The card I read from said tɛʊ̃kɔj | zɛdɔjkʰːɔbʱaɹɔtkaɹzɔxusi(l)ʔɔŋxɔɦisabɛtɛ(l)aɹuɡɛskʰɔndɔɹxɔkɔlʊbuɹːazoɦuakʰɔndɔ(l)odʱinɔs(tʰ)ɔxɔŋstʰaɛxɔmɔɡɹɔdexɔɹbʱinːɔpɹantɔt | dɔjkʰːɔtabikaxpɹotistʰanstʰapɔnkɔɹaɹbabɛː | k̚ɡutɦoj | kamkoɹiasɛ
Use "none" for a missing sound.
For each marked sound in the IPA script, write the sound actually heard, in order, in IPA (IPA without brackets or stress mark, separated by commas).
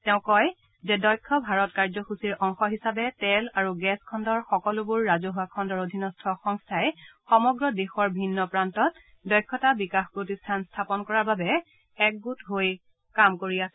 ɹ, l, ɹ, tʰ